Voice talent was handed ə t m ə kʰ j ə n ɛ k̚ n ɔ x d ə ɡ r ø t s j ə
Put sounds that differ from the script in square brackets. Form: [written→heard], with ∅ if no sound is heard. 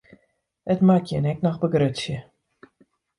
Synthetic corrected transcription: ə t m [ə→a] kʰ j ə n ɛ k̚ n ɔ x [d→b] ə ɡ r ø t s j ə